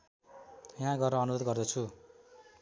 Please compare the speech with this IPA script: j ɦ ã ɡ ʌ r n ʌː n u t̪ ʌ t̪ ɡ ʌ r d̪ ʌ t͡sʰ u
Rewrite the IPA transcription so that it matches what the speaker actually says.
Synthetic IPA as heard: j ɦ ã ɡ ʌ r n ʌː n u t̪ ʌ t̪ ɡ ʌ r d̪ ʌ t͡sʰ u